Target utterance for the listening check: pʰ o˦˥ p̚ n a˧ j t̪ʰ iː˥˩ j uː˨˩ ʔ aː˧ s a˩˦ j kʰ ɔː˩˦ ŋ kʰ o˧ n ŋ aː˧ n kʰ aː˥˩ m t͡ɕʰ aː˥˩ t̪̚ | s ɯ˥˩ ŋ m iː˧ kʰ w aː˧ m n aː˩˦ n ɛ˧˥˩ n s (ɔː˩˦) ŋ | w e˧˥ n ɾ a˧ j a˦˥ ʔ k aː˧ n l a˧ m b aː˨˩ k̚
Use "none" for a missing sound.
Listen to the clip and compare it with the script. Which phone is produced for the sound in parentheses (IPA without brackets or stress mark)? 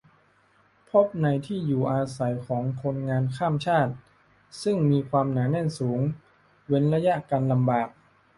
uː˩˦